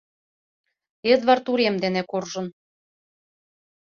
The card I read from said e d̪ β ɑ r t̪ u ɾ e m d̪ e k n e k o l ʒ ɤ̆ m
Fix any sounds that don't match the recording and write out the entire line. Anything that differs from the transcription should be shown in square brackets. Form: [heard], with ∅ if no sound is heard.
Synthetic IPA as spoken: e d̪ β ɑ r t̪ u ɾ e m d̪ e [∅] n e k o [r] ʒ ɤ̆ [n]